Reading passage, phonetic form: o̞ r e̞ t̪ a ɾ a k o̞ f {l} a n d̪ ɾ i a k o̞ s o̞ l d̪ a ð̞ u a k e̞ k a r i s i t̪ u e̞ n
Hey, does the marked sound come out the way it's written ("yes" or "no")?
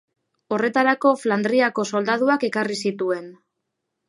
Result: yes